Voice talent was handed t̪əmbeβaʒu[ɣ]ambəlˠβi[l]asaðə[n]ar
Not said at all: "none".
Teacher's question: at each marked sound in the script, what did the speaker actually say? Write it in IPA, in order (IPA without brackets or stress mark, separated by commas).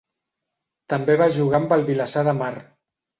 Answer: ɣ, l, m